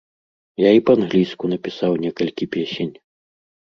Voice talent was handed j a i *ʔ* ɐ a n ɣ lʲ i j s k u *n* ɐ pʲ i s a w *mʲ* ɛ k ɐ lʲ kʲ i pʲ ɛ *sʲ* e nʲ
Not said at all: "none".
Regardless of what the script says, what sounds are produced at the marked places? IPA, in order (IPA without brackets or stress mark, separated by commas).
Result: p, n, nʲ, sʲ